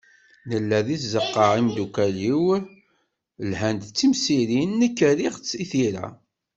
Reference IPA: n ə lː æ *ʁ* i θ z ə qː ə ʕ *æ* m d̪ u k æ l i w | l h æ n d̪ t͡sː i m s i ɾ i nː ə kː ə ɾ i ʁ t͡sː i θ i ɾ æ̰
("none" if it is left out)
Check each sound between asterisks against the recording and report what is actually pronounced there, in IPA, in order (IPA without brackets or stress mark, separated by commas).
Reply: ð, i